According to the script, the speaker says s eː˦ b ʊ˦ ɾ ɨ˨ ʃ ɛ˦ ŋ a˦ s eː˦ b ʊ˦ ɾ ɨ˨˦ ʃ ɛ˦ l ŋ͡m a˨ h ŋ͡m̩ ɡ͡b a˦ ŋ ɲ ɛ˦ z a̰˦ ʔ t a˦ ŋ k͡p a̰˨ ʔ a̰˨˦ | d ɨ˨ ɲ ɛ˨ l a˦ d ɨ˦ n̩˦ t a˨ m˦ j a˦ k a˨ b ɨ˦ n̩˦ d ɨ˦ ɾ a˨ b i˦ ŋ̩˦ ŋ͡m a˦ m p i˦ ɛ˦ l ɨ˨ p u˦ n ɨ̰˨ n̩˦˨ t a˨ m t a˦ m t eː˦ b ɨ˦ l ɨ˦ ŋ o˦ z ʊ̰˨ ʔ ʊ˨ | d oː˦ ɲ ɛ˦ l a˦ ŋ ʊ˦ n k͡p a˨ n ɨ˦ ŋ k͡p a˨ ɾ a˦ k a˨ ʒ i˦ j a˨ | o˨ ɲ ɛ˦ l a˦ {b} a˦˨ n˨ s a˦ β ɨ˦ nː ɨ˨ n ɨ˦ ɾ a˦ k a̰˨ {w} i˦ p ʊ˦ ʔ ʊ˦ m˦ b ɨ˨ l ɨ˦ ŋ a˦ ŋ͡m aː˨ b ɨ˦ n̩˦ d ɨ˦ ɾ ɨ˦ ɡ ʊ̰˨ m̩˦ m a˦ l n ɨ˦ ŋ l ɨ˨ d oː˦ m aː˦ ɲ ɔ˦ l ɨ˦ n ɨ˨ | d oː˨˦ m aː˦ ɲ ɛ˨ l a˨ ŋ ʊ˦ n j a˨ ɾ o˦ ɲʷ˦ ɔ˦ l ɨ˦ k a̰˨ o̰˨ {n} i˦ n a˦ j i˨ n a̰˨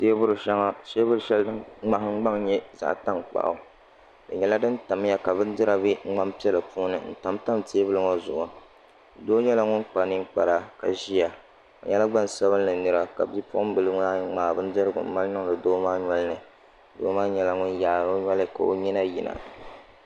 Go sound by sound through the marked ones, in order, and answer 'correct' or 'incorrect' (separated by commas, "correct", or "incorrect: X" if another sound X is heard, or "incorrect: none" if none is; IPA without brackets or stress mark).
incorrect: ɡ͡b, incorrect: b, incorrect: ɲ